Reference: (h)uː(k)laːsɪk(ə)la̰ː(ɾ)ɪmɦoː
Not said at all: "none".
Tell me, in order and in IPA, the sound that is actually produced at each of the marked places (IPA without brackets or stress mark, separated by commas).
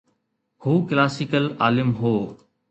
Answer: h, k, ə, l